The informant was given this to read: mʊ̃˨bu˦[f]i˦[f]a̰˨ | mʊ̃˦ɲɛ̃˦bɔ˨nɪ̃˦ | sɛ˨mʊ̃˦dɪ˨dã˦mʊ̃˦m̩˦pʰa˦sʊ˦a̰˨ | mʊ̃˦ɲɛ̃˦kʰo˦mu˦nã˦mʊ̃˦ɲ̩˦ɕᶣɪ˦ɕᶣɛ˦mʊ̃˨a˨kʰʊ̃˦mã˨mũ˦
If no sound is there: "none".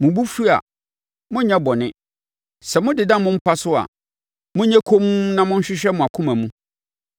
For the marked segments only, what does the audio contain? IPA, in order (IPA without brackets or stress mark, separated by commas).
f, none